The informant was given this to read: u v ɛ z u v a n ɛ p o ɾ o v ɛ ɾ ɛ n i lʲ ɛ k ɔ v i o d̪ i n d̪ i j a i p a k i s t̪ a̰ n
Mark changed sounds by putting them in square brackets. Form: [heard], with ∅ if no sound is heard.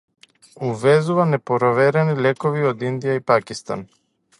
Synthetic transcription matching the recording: u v ɛ z u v a n ɛ p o ɾ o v ɛ ɾ ɛ n i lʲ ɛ k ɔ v i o d̪ i n d̪ i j a i p a k i s t̪ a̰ n

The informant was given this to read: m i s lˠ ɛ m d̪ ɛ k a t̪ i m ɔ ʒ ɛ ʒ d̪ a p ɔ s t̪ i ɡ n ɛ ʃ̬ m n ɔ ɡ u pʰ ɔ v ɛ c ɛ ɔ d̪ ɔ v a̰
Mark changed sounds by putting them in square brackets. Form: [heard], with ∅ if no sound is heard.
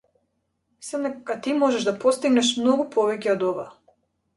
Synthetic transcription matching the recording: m i s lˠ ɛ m d̪ ɛ k a t̪ i m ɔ ʒ ɛ ʒ d̪ a p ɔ s t̪ i ɡ n ɛ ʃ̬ m n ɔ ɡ u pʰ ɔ v ɛ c ɛ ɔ d̪ ɔ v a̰

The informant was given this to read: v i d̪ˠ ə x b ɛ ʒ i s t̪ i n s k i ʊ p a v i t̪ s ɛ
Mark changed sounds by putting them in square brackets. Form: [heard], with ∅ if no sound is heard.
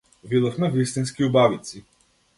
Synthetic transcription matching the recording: v i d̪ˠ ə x [m] ɛ [v] i s t̪ i n s k i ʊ [b] a v i t̪ s [i]

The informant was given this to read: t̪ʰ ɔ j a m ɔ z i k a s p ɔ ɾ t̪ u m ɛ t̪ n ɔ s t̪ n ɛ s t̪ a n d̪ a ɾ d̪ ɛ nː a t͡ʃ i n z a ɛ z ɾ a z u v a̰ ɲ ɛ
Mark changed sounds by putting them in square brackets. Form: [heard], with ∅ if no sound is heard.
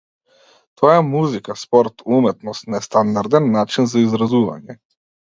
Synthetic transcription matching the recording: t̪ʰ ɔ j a m [u] z i k a s p ɔ ɾ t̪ u m ɛ t̪ n ɔ s t̪ n ɛ s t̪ a n d̪ a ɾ d̪ ɛ nː a t͡ʃ i n z a [i] z ɾ a z u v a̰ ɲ ɛ

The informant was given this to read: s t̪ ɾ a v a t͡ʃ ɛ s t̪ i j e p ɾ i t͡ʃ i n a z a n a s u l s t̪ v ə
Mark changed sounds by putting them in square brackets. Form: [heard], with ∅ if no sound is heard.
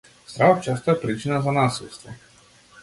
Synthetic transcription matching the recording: s t̪ ɾ a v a t͡ʃ [a] s t̪ [a] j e p ɾ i t͡ʃ i n a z a n a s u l s t̪ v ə

